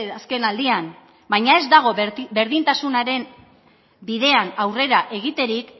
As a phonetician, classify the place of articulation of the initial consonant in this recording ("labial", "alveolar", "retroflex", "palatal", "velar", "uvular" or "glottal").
alveolar